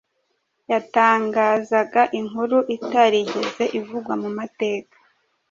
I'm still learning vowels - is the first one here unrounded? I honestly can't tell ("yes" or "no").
yes